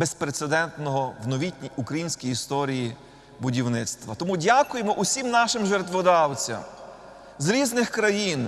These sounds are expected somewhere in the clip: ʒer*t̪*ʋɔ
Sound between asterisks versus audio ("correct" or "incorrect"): correct